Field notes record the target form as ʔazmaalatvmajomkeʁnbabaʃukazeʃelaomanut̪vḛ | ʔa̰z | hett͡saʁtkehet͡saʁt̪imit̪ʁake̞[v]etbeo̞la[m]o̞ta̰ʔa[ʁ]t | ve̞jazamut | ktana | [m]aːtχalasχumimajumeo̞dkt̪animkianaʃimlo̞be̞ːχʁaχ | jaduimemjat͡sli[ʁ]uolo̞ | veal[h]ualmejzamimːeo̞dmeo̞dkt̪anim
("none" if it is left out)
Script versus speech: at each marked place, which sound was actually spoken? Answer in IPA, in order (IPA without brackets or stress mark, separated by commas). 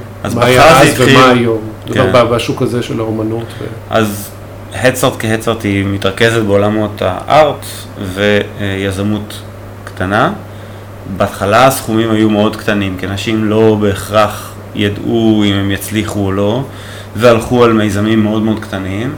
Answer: z, m, ʁ, b, χ, χ